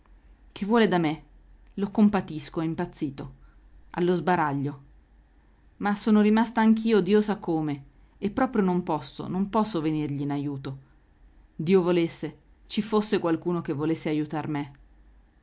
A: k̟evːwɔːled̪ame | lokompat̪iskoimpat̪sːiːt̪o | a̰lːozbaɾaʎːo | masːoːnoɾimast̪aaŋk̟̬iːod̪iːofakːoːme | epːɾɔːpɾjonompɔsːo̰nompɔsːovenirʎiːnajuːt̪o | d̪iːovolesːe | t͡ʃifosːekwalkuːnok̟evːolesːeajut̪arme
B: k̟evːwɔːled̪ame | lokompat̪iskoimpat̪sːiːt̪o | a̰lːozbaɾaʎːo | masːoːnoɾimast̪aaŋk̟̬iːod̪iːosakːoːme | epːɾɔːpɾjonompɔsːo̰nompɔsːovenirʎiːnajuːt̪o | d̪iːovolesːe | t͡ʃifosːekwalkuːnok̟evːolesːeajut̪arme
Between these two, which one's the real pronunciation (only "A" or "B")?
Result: B